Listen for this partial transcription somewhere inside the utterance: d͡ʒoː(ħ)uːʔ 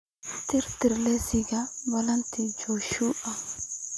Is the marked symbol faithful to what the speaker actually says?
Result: no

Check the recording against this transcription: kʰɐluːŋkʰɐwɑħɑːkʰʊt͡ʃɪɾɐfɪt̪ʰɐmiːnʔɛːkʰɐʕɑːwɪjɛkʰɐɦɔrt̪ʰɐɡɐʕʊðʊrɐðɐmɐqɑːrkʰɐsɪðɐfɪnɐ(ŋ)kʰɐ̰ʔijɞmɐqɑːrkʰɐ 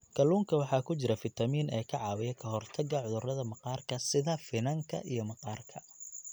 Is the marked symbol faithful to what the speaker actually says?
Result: yes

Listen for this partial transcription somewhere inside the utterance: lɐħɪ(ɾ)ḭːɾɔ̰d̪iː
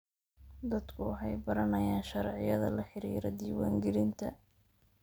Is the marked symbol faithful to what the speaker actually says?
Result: yes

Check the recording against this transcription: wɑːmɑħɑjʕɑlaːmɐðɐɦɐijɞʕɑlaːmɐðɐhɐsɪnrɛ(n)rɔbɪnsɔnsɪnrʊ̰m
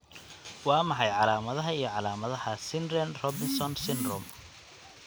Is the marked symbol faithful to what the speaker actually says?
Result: yes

